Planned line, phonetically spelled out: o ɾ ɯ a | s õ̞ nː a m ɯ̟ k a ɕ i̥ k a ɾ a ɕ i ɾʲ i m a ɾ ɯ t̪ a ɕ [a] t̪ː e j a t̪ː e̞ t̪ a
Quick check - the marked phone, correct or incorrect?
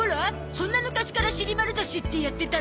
incorrect